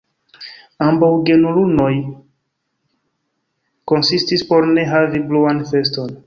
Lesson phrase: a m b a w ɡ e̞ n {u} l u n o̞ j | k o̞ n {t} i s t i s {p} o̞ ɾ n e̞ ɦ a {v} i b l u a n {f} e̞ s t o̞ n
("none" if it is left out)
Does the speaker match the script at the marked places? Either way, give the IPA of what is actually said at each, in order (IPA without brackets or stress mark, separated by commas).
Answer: u, s, p, v, f